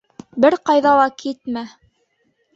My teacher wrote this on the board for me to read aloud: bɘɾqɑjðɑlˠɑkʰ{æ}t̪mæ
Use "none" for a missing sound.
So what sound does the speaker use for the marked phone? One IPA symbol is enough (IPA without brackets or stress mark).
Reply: i